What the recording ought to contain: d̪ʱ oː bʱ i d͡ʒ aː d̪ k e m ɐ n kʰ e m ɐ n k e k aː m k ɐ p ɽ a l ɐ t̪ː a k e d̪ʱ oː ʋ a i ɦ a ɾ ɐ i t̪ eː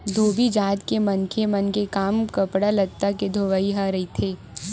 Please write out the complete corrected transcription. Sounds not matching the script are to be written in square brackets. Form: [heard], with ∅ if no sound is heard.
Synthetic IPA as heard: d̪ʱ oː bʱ i d͡ʒ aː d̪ k e m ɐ n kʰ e m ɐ n k e k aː m k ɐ p ɽ a l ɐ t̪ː a k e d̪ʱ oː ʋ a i ɦ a ɾ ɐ i [t̪ʰ] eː